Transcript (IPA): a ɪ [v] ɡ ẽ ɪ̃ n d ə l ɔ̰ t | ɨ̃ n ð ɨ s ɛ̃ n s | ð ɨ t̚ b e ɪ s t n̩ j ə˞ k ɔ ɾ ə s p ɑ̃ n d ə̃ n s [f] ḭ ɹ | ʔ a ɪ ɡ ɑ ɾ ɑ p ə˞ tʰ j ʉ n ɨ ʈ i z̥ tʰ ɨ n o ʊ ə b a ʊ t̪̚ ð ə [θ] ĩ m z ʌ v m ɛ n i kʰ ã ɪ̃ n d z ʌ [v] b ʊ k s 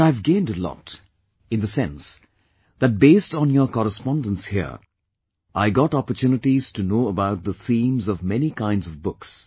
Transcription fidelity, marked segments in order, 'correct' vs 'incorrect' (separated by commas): correct, incorrect, correct, correct